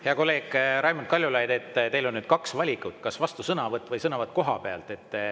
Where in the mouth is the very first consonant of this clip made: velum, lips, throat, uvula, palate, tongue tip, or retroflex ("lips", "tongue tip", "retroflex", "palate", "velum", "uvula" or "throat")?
throat